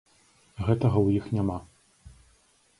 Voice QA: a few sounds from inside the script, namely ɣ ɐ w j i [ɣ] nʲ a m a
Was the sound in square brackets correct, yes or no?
no